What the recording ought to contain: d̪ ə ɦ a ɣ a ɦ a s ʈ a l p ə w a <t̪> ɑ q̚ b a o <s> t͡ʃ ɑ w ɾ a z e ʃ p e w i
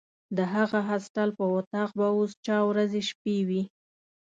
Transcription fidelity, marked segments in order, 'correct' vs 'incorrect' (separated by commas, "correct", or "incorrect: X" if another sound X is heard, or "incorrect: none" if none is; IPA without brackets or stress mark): correct, correct